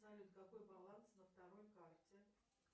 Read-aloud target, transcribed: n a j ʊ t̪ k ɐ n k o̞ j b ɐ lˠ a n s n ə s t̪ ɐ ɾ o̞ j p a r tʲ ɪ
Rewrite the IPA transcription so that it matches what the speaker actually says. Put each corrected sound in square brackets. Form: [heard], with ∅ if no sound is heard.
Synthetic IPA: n a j ʊ t̪ k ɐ [∅] k o̞ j b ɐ lˠ a n s n ə [f] t̪ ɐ ɾ o̞ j [k] a r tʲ ɪ